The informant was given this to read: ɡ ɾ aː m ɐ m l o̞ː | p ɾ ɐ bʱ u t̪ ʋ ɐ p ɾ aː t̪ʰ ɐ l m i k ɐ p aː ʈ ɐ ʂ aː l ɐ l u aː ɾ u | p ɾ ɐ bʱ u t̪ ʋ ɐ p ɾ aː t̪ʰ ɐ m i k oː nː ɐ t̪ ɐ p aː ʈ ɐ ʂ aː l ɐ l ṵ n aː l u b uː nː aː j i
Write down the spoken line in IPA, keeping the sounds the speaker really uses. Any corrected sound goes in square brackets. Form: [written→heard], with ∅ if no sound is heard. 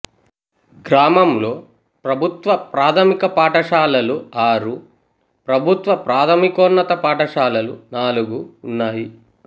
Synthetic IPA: ɡ ɾ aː m ɐ m l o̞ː | p ɾ ɐ bʱ u t̪ ʋ ɐ p ɾ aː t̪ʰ ɐ [l→∅] m i k ɐ p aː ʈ ɐ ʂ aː l ɐ l u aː ɾ u | p ɾ ɐ bʱ u t̪ ʋ ɐ p ɾ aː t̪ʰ ɐ m i k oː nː ɐ t̪ ɐ p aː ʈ ɐ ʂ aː l ɐ l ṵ n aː l u [b→ɡ] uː nː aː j i